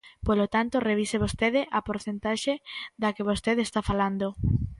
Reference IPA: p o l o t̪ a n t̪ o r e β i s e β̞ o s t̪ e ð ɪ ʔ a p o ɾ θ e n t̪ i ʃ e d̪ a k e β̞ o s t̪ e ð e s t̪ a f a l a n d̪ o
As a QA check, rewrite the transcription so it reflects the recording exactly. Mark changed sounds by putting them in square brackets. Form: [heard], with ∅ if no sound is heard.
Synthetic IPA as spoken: p o l o t̪ a n t̪ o r e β i s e β̞ o s t̪ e ð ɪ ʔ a p o ɾ θ e n t̪ [a] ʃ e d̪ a k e β̞ o s t̪ e ð e s t̪ a f a l a n d̪ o

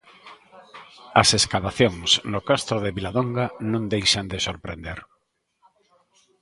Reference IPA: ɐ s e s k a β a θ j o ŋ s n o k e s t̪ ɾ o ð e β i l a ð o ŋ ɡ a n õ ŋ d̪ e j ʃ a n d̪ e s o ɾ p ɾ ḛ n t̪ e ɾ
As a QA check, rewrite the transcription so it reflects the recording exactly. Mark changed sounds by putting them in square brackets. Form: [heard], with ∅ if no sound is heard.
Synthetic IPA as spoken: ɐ s e s k a β a θ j o ŋ s n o k [a] s t̪ ɾ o ð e β i l a ð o ŋ ɡ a n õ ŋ d̪ e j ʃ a n d̪ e s o ɾ p ɾ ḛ n [d̪] e ɾ

